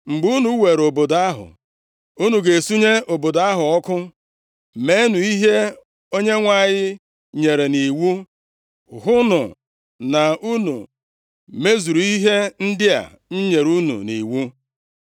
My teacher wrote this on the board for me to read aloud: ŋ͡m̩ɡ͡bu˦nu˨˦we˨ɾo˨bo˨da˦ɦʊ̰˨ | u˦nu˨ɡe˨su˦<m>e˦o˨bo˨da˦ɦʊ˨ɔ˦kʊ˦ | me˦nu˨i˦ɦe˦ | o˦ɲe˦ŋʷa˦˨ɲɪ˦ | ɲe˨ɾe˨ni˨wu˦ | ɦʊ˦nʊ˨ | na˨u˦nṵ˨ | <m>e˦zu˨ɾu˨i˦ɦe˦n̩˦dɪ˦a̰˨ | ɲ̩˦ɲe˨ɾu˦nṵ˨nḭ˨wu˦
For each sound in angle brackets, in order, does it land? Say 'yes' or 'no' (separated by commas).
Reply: no, yes